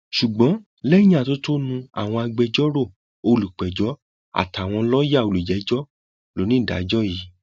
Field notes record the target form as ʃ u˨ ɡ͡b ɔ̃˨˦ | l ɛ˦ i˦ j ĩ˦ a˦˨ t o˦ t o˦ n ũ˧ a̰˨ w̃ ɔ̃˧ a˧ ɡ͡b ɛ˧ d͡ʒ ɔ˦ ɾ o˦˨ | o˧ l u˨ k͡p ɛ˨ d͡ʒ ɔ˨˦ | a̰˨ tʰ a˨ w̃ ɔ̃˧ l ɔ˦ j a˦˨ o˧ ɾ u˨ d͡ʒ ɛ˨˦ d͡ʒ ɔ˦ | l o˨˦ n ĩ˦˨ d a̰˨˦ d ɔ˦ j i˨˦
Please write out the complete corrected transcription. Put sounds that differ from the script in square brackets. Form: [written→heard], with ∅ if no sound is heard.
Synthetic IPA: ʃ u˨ ɡ͡b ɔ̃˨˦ | l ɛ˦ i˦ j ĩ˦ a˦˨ t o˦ t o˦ n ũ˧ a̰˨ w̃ ɔ̃˧ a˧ ɡ͡b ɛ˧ d͡ʒ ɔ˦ ɾ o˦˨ | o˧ l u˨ k͡p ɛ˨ d͡ʒ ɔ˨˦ | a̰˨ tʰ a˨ w̃ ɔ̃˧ l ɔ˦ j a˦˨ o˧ [ɾ→l] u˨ d͡ʒ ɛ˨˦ d͡ʒ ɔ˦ | l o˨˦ n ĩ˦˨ d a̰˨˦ [d→d͡ʒ] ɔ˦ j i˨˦